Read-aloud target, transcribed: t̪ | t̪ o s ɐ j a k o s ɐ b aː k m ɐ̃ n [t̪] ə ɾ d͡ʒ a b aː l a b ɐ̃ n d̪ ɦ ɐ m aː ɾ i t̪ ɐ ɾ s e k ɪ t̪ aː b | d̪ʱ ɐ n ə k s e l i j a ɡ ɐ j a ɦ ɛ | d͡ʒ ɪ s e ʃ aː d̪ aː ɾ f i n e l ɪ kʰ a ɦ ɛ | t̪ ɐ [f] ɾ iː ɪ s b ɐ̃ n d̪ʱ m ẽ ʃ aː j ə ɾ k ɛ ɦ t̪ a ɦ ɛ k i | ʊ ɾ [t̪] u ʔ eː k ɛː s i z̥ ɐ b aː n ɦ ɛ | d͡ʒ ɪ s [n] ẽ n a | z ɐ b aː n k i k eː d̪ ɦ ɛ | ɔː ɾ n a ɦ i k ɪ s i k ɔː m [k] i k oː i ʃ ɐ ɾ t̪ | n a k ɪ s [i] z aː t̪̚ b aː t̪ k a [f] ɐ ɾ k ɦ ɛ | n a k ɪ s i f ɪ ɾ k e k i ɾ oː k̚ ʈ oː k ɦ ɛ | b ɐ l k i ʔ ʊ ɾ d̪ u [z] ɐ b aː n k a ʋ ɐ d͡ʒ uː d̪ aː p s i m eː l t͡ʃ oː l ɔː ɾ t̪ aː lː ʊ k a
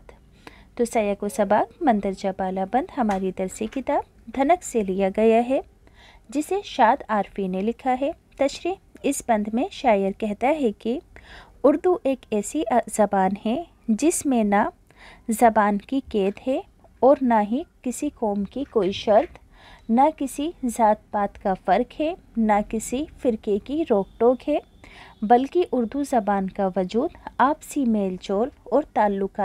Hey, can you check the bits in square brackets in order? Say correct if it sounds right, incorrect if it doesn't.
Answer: incorrect: d̪, incorrect: ʃ, incorrect: d̪, incorrect: m, correct, correct, correct, correct

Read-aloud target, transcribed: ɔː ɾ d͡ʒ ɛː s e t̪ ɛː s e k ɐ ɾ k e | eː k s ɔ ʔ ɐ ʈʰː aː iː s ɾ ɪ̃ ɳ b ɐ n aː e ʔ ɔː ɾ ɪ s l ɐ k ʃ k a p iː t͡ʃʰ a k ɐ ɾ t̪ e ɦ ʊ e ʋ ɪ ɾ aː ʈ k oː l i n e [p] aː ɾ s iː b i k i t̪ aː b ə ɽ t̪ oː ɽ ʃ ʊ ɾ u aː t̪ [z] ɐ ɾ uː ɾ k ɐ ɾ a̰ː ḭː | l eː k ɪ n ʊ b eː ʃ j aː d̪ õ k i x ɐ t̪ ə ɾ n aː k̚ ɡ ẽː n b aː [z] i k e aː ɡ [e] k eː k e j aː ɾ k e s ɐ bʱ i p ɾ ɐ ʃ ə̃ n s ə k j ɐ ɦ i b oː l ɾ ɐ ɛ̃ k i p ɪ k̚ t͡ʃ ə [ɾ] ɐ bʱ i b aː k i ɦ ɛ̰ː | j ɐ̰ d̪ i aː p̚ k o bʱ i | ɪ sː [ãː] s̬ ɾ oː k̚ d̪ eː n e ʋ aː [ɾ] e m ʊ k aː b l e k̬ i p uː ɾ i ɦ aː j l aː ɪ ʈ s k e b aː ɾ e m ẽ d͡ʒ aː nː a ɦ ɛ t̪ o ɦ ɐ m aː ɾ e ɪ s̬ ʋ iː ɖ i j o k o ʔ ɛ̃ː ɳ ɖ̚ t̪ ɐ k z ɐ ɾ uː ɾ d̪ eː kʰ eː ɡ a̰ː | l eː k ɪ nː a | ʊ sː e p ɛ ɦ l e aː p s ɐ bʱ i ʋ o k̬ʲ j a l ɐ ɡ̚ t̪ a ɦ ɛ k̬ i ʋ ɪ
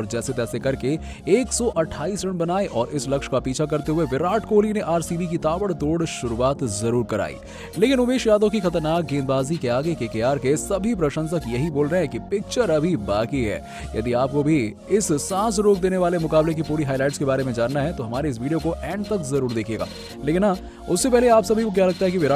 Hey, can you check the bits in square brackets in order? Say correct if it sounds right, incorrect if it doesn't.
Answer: incorrect: ʔ, correct, correct, correct, correct, correct, incorrect: l

